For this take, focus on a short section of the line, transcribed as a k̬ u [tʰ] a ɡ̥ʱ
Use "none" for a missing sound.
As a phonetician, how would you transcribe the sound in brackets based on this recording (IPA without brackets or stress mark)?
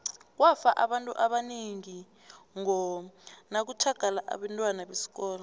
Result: tʰ